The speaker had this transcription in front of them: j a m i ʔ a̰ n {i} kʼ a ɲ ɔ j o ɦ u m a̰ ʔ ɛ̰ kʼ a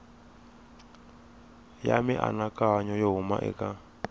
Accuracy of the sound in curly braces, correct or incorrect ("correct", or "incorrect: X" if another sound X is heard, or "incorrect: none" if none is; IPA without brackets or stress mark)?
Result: incorrect: a